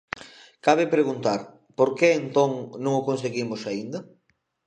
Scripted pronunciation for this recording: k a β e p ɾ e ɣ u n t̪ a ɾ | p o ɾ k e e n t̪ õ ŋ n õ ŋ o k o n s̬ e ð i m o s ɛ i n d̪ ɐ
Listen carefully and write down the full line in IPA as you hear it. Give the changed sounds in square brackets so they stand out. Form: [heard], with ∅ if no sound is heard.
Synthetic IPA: k a β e p ɾ e ɣ u n t̪ a ɾ | p o ɾ k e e n t̪ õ ŋ n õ ŋ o k o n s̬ e [ɣ] i m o s [a] i n d̪ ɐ